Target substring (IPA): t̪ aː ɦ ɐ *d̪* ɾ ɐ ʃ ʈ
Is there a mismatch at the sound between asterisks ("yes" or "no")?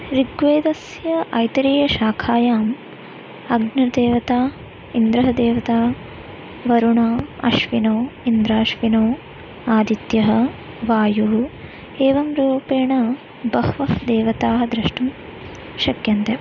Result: no